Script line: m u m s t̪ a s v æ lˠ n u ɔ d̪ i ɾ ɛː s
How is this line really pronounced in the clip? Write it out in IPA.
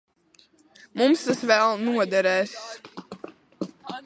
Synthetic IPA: m u m s t̪ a s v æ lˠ n u ɔ d̪ ɛ ɾ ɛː s